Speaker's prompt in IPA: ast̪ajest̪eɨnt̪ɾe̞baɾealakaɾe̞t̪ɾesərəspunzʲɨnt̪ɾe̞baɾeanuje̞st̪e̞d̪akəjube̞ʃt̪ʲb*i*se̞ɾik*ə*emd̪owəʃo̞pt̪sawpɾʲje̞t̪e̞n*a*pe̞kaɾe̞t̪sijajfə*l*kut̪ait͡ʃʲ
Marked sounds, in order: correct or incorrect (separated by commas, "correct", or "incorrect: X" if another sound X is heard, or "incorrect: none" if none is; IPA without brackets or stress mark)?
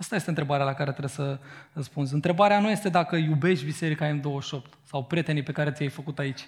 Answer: correct, incorrect: a, incorrect: i, incorrect: none